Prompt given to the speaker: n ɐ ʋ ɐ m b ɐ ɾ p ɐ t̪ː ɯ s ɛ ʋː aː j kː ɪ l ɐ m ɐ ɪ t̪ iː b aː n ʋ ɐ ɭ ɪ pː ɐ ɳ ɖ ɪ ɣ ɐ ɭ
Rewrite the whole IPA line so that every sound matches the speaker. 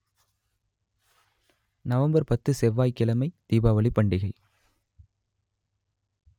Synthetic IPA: n ɐ ʋ ɐ m b ɐ ɾ p ɐ t̪ː ɯ s ɛ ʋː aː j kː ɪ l ɐ m ɐ ɪ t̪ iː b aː ʋ ɐ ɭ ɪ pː ɐ ɳ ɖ ɪ ɣ ɐ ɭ

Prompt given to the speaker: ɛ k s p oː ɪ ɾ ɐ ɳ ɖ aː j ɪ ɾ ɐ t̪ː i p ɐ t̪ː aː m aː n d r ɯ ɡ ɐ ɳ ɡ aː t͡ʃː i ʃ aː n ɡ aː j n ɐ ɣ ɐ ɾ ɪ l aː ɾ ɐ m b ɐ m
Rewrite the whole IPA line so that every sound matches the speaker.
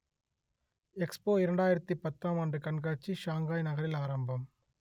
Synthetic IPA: ɛ k s p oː ɪ ɾ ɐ ɳ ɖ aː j ɪ ɾ ɐ t̪ː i p ɐ t̪ː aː m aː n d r ɯ k ɐ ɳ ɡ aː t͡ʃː i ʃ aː ŋ ɡ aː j n ɐ ɣ ɐ ɾ ɪ l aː ɾ ɐ m b ɐ m

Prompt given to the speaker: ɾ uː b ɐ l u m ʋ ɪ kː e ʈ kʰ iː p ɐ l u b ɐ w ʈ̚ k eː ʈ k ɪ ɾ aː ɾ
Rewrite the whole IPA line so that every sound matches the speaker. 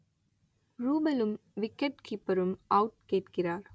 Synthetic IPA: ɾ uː b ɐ l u m ʋ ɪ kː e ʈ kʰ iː p ɐ ɾ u m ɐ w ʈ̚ k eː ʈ k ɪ ɾ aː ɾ

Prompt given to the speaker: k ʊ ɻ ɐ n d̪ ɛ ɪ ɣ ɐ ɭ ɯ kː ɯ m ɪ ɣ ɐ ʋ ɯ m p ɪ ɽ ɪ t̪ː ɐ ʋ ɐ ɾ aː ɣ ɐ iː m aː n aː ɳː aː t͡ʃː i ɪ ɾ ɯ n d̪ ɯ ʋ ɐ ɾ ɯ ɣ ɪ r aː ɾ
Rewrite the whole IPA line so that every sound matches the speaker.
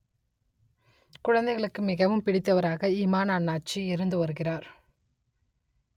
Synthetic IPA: k ʊ ɻ ɐ n d̪ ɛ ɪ ɣ ɐ ɭ ɯ kː ɯ m ɪ ɣ ɐ ʋ ɯ m p ɪ ɽ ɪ t̪ː ɐ ʋ ɐ ɾ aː ɣ ɐ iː m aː n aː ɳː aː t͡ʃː i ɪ ɾ ɯ n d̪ ɯ ʋ ɐ ɾ ɯ ɣ ɪ r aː ɾ

